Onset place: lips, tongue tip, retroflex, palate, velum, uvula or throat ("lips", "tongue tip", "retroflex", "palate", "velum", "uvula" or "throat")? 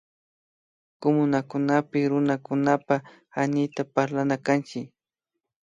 velum